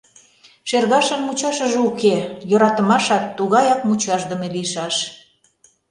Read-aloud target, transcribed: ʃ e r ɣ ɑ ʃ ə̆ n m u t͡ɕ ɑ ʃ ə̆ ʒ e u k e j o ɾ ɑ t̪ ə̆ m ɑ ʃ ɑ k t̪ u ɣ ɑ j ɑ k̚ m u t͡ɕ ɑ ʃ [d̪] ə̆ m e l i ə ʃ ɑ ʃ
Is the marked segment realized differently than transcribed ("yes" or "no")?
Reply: no